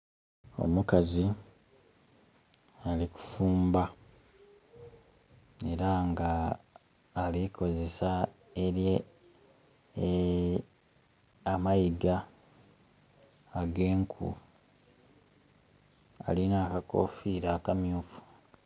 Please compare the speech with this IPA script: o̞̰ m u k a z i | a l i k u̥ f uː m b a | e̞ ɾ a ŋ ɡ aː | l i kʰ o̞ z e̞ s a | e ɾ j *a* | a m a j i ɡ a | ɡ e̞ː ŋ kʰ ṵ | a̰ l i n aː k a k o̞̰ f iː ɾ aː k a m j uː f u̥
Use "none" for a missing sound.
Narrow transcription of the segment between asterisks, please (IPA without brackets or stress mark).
e